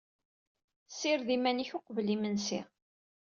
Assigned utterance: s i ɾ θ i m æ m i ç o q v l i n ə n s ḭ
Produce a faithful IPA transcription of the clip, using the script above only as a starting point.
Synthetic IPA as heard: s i ɾ ð i m æ n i ç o q v l i m ə n s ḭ